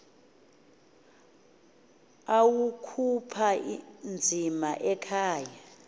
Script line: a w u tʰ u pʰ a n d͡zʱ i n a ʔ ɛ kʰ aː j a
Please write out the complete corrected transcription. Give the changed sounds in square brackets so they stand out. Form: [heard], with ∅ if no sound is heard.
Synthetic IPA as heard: a w u [kʰ] u pʰ a n d͡zʱ i [m] a ʔ ɛ kʰ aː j a